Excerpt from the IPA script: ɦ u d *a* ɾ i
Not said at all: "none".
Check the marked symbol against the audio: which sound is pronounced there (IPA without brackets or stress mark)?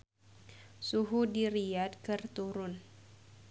i